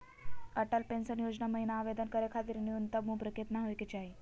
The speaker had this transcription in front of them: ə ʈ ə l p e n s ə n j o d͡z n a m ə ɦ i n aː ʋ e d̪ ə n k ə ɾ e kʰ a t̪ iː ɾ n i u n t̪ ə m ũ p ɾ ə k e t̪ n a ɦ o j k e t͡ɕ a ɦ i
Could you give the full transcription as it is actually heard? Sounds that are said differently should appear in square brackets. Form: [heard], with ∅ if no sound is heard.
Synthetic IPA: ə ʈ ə l p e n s ə n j o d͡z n a m ə ɦ i n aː ʋ e d̪ ə n k ə ɾ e kʰ a t̪ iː ɾ n i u n t̪ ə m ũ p ɾ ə k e t̪ n a ɦ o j k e t͡ɕ a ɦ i